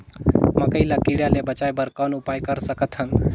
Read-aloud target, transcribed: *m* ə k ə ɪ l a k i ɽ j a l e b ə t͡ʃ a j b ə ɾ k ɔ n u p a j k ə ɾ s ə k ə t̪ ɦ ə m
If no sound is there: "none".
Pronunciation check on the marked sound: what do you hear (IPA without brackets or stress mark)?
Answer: m